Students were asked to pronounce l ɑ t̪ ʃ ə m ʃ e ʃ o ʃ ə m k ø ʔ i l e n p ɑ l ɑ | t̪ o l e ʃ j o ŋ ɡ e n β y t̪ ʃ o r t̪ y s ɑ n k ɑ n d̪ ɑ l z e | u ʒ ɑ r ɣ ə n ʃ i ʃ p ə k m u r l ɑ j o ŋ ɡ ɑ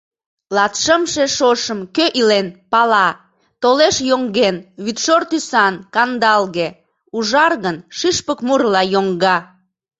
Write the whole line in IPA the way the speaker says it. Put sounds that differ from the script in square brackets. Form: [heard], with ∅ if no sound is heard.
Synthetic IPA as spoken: l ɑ t̪ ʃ ə m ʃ e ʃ o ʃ ə m k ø ʔ i l e n p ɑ l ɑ | t̪ o l e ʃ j o ŋ ɡ e n β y t̪ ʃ o r t̪ y s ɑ n k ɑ n d̪ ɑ l [ɣ] e | u ʒ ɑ r ɣ ə n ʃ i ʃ p ə k m u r l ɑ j o ŋ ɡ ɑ

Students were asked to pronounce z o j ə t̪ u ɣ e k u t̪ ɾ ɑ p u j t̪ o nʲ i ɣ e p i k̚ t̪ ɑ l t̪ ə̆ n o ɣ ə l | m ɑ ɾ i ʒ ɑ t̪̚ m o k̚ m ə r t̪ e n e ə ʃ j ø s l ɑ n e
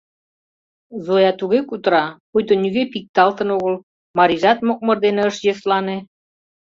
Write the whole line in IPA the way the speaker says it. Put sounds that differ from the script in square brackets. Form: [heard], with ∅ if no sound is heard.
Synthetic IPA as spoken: z o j [ɑ] t̪ u ɣ e k u t̪ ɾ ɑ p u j t̪ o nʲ [y] ɣ e p i k̚ t̪ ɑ l t̪ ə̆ n o ɣ ə l | m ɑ ɾ i ʒ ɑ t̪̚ m o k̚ m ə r [d̪] e n e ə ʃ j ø s l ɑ n e

